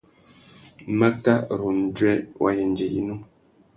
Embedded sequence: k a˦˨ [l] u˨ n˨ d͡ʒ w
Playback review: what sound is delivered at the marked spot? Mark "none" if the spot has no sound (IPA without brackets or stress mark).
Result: ɾ